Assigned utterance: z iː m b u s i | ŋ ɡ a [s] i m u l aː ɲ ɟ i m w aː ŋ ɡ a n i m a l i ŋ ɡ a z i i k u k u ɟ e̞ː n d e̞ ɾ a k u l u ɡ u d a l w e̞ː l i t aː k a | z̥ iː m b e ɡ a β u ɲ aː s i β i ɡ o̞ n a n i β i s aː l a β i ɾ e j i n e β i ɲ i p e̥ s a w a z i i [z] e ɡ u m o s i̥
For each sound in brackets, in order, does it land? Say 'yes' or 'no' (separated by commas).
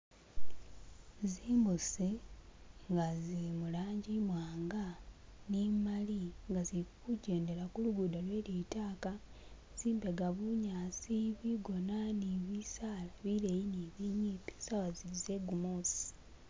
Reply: no, yes